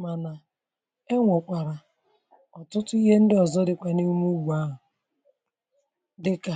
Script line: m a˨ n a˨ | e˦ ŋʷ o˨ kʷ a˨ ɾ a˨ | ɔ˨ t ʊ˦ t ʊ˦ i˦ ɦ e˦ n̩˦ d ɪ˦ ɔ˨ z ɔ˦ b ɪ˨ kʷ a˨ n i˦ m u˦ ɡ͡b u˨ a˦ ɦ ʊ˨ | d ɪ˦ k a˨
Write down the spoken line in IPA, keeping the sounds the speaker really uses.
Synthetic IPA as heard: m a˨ n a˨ | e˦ ŋʷ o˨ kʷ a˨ ɾ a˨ | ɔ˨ t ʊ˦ t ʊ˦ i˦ ɦ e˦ n̩˦ d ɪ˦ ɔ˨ z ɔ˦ d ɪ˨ kʷ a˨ n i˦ m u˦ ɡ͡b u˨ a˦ ɦ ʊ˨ | d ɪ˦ k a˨